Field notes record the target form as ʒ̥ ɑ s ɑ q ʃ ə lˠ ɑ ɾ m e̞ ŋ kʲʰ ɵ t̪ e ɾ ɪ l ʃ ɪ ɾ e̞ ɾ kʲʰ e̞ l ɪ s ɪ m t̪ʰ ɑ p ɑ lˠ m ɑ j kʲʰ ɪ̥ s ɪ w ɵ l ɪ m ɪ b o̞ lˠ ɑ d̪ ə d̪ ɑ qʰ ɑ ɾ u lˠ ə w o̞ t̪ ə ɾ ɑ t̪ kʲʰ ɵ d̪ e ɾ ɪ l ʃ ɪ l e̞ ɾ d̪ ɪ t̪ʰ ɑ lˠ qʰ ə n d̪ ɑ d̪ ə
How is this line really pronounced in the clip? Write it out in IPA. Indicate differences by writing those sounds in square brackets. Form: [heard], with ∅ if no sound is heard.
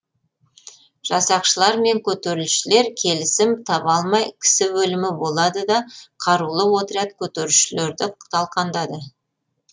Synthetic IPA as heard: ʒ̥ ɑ s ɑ q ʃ ə lˠ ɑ ɾ m e̞ ŋ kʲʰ ɵ t̪ e ɾ ɪ l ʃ ɪ [l] e̞ ɾ kʲʰ e̞ l ɪ s ɪ m t̪ʰ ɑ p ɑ lˠ m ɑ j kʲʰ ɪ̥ s ɪ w ɵ l ɪ m ɪ b o̞ lˠ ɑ d̪ ə d̪ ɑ qʰ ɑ ɾ u lˠ ə w o̞ t̪ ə ɾ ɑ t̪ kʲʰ ɵ [t̪] e ɾ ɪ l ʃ ɪ l e̞ ɾ d̪ ɪ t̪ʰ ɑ lˠ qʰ [ɑ] n d̪ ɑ d̪ ə